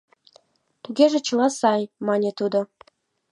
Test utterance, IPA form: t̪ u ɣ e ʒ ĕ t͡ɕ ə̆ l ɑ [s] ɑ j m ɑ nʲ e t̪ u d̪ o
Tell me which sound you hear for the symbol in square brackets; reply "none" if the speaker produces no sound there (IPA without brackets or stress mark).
s